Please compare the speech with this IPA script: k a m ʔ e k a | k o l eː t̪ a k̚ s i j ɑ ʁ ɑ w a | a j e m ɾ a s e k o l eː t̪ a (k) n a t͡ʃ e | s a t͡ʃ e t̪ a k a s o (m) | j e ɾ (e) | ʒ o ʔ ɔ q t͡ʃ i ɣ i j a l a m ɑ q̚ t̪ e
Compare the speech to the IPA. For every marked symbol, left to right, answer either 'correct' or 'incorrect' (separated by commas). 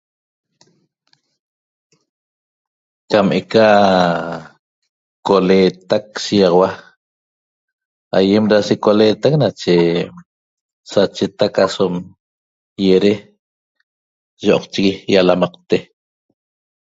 correct, correct, correct